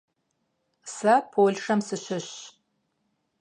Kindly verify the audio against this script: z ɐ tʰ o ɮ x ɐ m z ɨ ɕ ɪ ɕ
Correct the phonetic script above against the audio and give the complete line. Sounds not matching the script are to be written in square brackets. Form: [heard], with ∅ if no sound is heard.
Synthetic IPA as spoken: [s] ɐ [pʰ] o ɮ [ʂ] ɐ m [s] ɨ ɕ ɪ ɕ